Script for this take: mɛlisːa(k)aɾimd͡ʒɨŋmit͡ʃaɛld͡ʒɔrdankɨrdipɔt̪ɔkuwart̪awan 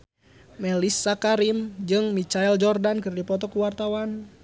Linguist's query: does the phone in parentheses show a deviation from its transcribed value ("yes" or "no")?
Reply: no